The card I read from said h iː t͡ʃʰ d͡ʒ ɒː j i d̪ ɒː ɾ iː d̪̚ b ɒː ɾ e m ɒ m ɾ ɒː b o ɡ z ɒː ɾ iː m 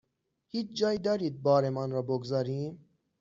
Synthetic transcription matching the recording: h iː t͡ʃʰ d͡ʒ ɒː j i d̪ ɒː ɾ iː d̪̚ b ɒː ɾ e m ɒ n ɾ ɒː b o ɡ z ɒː ɾ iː m